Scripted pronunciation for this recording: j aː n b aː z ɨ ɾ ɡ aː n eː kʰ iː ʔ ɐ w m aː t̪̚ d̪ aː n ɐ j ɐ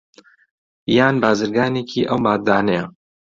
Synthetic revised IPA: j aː n b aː z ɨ ɾ ɡ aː n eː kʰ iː ʔ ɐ w m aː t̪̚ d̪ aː n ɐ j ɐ